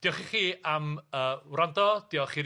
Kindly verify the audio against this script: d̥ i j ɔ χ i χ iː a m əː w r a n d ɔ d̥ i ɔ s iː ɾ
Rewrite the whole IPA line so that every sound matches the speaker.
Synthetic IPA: d̥ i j ɔ χ i χ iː a m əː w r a n d ɔ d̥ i ɔ χ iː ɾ

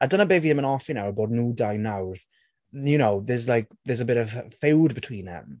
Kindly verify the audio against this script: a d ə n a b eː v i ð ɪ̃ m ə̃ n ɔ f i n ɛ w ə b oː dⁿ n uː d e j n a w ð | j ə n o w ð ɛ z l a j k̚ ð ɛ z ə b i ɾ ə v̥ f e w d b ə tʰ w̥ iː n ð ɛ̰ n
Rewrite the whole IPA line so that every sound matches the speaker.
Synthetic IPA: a d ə n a b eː v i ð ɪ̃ m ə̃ n ɔ f i n a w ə b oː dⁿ n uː d a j n a w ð | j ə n o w ð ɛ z l a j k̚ ð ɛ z ə b ɪ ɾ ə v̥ f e w d b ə tʰ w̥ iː n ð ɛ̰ m

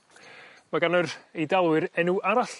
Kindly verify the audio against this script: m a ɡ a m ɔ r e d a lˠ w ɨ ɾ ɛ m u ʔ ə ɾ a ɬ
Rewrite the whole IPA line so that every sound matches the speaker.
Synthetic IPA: m a ɡ a n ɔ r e d a lˠ w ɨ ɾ ɛ n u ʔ a ɾ a ɬ

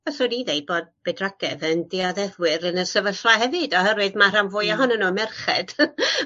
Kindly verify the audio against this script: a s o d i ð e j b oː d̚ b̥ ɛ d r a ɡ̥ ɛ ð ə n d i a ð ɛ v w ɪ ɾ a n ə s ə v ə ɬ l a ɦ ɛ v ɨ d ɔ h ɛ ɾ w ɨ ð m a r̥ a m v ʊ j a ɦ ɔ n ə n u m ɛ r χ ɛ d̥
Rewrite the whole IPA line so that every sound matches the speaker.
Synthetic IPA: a s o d i ð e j b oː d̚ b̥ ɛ d r a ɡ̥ ɛ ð ə n d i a ð ɛ ð w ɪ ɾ ə n ə s ə v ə ɬ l a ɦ ɛ v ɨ d ɔ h ɛ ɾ w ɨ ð m a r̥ a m v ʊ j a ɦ ɔ n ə n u m ɛ r χ ɛ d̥

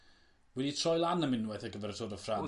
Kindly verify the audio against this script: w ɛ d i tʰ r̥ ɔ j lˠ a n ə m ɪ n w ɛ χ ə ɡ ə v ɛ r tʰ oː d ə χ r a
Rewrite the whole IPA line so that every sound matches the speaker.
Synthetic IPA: w ɛ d i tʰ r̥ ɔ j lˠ a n ə m ɪ n w ɛ θ ə ɡ ə v ɛ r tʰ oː d ə f r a

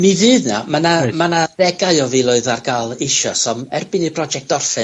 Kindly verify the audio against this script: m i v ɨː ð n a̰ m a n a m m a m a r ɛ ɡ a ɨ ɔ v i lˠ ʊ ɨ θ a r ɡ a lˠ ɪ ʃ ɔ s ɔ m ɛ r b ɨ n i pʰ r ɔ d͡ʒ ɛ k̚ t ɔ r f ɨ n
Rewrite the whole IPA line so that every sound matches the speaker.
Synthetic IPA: m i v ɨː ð n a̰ m a n a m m a n a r ɛ ɡ a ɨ ɔ v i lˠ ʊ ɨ ð a r ɡ a lˠ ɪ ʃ ɔ s ɔ m ɛ r b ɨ n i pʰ r ɔ d͡ʒ ɛ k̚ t ɔ r f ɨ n

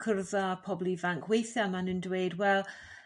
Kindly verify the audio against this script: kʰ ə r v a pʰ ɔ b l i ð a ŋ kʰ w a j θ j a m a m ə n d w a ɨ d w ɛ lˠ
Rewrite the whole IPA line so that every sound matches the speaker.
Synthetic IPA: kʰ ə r ð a pʰ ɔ b l i v a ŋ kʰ w e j θ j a m a n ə n d w e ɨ d w ɛ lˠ

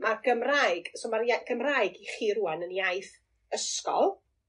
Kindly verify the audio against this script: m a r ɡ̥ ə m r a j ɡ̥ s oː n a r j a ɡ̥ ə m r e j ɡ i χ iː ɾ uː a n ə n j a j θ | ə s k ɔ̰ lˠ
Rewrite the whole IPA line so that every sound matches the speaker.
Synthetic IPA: m a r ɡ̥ ə m r a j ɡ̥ s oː m a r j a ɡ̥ ə m r a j ɡ i χ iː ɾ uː a n ə n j a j θ | ə s k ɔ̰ lˠ

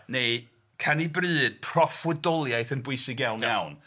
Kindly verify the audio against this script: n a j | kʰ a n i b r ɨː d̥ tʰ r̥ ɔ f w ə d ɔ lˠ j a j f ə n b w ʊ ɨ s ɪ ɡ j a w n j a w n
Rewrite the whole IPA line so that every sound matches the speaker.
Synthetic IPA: n e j | kʰ a n i b r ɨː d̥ pʰ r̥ ɔ f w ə d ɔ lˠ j a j θ ə n b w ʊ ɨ s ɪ ɡ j a w n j a w n

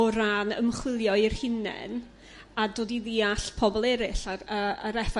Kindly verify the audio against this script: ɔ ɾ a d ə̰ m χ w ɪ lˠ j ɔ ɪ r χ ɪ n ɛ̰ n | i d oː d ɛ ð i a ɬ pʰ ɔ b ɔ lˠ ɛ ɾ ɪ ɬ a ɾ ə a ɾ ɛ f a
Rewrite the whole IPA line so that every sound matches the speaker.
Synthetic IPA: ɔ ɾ a n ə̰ m χ w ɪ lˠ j ɔ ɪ r h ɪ n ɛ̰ n | a d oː d i ð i a ɬ pʰ ɔ b ɔ lˠ ɛ ɾ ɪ ɬ a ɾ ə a ɾ ɛ f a

